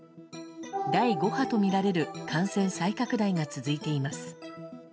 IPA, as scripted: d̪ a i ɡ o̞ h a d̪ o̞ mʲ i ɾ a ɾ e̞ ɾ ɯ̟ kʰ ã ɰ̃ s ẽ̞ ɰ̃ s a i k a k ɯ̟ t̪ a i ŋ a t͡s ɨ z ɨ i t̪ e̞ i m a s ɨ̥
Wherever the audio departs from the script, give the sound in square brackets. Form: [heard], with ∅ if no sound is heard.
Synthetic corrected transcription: d̪ a i ɡ o̞ h a [t̪] o̞ mʲ i ɾ a ɾ e̞ ɾ ɯ̟ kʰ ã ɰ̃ s ẽ̞ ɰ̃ s a i k a k ɯ̟ [d̪] a i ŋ a t͡s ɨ z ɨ i t̪ e̞ i m a s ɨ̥